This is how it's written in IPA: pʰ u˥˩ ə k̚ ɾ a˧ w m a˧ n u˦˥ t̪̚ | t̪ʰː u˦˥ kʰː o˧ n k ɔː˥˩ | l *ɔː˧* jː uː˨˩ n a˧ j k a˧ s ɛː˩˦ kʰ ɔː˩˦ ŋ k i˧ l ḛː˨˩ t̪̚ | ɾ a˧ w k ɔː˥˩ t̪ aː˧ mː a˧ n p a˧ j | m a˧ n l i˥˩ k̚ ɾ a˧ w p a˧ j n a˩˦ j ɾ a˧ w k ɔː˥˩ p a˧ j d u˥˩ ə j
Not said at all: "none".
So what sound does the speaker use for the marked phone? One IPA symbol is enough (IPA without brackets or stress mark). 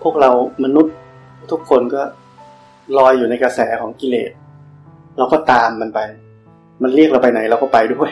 ɔː˧